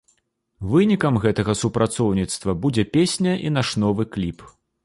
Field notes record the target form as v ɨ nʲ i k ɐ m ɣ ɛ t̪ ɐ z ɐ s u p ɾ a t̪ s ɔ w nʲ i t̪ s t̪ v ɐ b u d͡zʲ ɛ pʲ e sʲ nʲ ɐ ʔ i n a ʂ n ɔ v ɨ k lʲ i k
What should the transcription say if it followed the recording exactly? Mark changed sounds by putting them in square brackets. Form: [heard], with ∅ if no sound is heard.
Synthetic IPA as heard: v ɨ nʲ i k ɐ m ɣ ɛ t̪ ɐ [ɣ] ɐ s u p ɾ a t̪ s ɔ w nʲ i t̪ s t̪ v ɐ b u d͡zʲ ɛ pʲ e sʲ nʲ ɐ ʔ i n a ʂ n ɔ v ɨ k lʲ i [p]